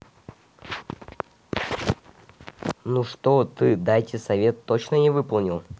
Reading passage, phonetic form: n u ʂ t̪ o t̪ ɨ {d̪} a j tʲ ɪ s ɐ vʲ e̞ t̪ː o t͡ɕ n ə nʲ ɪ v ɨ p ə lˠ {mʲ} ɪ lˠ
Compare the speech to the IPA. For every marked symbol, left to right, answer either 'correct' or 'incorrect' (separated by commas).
correct, incorrect